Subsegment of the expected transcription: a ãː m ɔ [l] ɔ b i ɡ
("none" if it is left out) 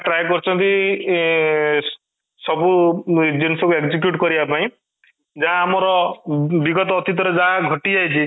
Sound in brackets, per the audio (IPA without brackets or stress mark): ɾ